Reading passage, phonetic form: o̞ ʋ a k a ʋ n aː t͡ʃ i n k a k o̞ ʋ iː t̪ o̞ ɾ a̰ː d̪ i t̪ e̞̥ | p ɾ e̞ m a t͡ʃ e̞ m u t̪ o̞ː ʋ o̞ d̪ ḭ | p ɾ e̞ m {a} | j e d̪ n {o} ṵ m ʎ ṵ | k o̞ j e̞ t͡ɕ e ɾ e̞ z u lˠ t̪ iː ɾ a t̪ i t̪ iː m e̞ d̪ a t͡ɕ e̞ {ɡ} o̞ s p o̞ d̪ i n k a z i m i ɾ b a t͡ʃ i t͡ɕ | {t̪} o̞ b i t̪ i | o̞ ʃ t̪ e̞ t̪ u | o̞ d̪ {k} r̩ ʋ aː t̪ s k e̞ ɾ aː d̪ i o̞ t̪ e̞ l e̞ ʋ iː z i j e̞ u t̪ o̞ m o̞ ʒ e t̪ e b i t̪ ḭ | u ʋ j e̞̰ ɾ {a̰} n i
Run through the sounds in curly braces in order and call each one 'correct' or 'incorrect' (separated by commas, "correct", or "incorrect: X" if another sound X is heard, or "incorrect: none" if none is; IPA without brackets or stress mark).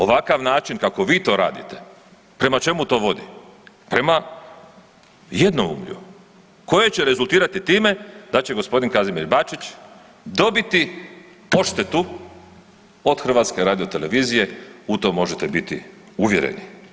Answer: correct, correct, correct, incorrect: d̪, incorrect: x, incorrect: ḛ